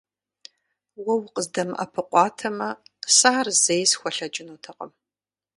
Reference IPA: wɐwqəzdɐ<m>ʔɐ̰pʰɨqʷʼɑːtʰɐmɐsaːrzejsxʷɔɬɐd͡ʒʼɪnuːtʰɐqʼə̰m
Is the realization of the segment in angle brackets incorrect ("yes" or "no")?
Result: no